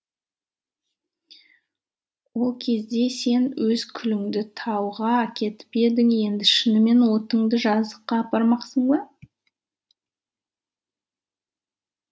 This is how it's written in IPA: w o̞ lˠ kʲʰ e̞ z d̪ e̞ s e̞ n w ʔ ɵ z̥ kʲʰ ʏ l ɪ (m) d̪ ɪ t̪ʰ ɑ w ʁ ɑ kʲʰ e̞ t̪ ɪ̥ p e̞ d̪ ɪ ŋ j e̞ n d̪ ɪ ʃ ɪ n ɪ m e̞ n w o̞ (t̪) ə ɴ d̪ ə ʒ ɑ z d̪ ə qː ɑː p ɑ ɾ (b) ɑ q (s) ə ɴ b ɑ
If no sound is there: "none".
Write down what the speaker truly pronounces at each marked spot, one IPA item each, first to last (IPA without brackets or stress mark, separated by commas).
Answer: ŋ, t̪, m, s